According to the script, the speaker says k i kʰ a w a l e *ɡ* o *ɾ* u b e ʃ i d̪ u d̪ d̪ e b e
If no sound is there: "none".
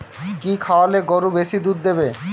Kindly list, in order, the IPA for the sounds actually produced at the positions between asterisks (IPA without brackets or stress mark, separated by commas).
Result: ɡ, ɾ